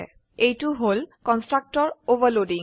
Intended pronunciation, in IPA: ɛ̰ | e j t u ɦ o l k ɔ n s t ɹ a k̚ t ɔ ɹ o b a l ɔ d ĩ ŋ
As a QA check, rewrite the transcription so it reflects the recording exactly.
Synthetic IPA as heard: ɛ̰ | e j t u ɦ o l k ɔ n s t ɹ a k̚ t ɔ ɹ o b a l o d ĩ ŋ